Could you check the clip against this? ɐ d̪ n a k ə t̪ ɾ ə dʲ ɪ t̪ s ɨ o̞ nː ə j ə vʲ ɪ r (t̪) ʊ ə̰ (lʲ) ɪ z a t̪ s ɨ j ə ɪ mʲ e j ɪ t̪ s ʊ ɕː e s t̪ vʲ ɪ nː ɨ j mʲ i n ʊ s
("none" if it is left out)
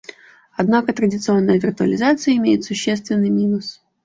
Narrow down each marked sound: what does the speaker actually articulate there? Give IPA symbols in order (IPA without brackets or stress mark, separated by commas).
t̪, lʲ